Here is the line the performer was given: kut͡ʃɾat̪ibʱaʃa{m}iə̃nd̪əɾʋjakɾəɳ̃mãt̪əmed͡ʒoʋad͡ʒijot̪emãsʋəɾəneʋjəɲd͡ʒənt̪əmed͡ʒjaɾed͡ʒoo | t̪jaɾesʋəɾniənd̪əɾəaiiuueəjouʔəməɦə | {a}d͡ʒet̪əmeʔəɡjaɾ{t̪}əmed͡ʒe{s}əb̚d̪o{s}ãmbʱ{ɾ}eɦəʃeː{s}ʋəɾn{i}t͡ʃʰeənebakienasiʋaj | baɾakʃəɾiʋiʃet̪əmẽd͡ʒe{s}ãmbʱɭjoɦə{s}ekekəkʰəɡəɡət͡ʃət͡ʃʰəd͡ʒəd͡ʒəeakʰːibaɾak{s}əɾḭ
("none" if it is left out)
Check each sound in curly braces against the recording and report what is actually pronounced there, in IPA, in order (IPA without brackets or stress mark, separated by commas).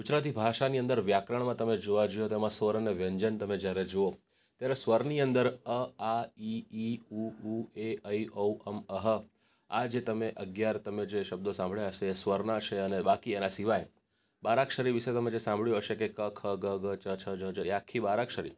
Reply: n, a, t̪, ʃ, s, ɭ, s, a, s, ʃ, ʃ